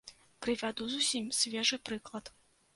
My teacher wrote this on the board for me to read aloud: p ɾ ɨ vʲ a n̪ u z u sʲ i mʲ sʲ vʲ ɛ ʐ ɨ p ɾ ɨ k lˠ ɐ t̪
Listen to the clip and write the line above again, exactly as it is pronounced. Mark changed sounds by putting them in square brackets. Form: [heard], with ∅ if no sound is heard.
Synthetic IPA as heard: [k] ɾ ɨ vʲ a [d̪] u z u sʲ i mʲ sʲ vʲ ɛ ʐ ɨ p ɾ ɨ k lˠ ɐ t̪